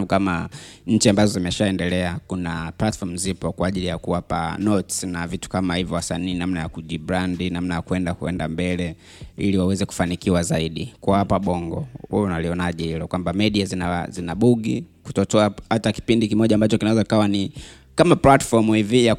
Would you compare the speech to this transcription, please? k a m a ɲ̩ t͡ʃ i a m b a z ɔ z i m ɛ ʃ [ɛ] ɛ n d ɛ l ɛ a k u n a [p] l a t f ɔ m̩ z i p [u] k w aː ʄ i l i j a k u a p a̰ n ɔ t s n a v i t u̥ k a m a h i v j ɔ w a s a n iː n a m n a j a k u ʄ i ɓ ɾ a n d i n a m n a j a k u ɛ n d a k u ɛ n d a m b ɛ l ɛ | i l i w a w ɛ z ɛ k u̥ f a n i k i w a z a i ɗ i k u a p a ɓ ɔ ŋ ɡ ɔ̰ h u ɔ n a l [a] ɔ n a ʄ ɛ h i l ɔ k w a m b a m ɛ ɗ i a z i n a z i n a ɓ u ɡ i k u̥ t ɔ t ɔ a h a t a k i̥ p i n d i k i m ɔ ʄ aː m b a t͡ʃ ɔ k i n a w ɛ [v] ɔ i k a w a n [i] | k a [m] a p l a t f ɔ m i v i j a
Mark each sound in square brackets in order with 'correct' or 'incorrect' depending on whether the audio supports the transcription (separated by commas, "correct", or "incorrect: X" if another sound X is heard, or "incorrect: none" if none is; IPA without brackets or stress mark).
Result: incorrect: a, correct, incorrect: ɔ, incorrect: i, incorrect: z, correct, correct